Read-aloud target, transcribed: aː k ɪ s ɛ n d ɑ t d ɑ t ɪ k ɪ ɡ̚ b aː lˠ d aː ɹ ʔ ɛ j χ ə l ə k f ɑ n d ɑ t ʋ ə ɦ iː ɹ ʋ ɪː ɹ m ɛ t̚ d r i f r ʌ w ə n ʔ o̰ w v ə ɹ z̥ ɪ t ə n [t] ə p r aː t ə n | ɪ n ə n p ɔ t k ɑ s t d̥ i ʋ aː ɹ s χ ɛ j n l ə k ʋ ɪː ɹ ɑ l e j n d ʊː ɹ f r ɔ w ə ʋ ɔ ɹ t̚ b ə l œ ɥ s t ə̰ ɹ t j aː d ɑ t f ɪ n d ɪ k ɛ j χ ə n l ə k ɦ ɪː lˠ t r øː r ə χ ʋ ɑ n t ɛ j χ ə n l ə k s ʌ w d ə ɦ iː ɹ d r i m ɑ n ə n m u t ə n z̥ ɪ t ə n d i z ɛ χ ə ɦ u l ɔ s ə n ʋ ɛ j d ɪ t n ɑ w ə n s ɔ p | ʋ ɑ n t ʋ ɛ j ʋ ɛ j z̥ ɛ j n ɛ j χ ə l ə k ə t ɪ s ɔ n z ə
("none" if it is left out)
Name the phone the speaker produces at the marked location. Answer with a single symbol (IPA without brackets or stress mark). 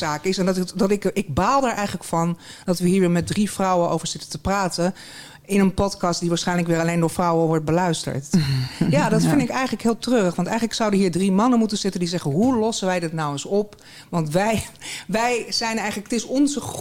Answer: t